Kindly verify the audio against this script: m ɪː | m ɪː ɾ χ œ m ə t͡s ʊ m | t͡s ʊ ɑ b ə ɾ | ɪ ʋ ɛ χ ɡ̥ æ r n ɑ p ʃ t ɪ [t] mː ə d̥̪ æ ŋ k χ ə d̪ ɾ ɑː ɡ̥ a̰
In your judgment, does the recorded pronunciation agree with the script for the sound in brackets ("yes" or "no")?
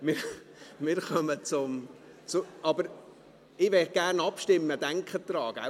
no